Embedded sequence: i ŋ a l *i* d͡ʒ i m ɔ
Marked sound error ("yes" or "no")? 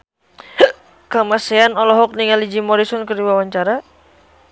no